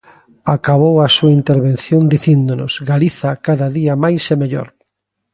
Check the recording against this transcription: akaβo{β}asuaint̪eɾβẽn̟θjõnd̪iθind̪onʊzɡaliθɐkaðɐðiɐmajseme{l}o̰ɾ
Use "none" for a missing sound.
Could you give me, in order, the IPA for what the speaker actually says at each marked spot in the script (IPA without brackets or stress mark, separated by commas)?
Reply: w, ʎ